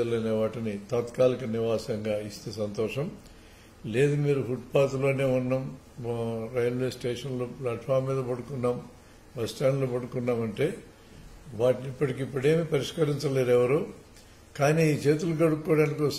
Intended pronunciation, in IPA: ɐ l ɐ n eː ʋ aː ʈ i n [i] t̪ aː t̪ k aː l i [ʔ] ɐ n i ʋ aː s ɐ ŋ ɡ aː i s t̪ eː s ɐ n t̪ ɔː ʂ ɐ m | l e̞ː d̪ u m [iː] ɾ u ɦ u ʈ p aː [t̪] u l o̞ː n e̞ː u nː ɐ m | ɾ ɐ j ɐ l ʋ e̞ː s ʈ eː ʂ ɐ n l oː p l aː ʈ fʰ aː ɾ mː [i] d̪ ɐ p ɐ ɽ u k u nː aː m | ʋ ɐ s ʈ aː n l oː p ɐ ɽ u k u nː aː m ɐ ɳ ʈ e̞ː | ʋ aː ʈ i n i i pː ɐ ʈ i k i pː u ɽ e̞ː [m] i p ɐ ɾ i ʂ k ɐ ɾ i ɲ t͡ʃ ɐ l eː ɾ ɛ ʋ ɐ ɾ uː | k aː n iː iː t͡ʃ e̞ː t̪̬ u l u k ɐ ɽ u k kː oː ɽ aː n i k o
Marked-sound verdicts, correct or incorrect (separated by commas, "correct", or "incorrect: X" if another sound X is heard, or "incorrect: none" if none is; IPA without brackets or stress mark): correct, incorrect: k, correct, correct, incorrect: iː, correct